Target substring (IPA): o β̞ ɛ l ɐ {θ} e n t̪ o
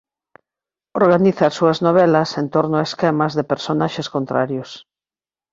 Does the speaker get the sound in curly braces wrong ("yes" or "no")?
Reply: yes